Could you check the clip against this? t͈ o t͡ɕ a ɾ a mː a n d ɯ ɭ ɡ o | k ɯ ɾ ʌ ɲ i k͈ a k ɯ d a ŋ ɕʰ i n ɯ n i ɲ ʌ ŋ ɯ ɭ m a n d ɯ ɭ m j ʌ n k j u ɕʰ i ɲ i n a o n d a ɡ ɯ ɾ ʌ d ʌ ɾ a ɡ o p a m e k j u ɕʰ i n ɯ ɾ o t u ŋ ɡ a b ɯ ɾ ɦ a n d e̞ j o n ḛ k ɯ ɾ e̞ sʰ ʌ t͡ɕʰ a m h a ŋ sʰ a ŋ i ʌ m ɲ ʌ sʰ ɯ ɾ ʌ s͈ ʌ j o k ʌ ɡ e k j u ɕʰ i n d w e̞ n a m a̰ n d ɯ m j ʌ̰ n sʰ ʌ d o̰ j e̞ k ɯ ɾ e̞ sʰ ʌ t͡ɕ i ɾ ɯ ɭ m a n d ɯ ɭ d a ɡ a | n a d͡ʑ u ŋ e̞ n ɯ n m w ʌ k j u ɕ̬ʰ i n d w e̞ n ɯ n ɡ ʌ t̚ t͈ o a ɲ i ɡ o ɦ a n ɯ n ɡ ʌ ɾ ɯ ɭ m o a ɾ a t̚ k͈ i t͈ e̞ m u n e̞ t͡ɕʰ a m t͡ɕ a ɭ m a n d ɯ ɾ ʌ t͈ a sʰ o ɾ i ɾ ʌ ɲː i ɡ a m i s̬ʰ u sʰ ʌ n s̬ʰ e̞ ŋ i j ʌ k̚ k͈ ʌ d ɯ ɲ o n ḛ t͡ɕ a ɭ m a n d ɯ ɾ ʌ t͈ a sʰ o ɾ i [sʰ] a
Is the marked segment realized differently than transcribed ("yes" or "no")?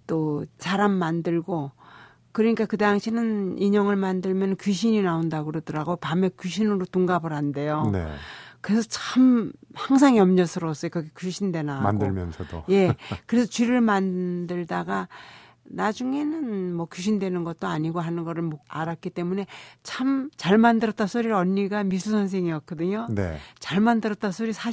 no